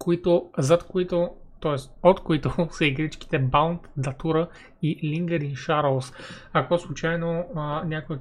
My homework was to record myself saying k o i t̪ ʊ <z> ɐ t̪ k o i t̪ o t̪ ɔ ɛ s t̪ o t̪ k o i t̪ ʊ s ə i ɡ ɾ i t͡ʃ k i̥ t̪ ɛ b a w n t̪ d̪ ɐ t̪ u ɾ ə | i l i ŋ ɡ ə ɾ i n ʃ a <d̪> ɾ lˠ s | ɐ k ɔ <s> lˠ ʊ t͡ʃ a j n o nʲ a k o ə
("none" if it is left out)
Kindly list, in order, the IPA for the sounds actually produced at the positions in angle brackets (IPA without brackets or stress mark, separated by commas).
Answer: z, none, s